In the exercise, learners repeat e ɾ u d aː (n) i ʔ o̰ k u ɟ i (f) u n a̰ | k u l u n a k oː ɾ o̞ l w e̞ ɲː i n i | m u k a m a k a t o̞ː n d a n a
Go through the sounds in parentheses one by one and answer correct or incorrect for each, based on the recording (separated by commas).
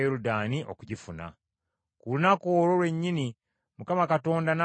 correct, correct